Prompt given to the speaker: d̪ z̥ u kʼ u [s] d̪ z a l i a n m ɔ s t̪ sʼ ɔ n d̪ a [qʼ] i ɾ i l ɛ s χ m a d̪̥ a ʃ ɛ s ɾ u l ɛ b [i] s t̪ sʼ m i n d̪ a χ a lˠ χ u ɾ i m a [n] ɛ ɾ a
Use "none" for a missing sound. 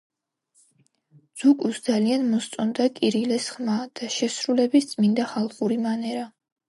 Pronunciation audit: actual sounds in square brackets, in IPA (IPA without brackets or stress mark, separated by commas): s, kʼ, i, n